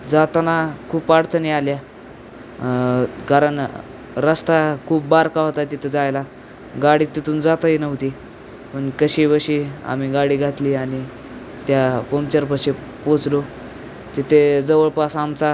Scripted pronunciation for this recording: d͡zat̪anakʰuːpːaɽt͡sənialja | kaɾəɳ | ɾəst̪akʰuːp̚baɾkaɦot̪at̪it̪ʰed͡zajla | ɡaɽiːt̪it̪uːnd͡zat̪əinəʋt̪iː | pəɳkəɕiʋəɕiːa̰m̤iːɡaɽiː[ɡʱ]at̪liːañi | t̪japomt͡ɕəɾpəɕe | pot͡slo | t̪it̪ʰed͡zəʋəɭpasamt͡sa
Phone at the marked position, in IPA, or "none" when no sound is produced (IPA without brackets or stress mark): ɡʱ